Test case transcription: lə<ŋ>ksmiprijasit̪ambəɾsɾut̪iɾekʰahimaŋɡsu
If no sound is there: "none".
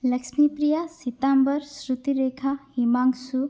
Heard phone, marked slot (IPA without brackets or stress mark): none